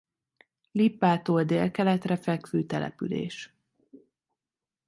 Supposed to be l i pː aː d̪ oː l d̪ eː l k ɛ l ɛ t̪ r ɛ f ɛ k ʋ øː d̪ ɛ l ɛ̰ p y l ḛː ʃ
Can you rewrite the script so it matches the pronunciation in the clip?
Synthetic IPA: l i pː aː t̪ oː l d̪ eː l k ɛ l ɛ t̪ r ɛ f ɛ k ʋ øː t̪ ɛ l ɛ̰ p y l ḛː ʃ